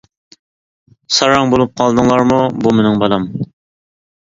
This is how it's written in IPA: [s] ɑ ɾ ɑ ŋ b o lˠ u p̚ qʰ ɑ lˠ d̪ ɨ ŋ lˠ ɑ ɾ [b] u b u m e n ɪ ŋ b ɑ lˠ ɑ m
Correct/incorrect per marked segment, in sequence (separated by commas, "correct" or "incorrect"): correct, incorrect